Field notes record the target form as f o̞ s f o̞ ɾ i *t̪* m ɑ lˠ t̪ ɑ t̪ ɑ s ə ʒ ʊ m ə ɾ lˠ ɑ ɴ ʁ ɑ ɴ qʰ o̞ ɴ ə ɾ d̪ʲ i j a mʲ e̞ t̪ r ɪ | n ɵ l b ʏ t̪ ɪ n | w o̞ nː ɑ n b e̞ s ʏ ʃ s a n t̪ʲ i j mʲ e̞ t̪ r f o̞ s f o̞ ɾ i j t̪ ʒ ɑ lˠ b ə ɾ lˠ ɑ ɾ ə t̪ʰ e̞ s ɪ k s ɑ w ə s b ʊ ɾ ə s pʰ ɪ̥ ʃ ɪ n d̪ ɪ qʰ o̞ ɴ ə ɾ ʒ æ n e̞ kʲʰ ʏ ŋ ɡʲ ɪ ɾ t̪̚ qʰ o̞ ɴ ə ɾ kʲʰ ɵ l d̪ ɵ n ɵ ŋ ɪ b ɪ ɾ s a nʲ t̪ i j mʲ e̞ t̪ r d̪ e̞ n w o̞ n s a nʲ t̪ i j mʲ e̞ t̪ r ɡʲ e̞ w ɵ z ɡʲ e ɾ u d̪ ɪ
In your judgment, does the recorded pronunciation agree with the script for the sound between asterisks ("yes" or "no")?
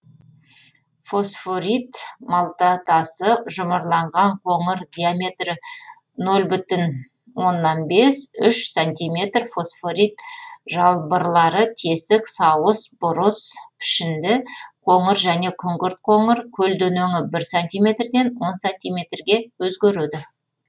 yes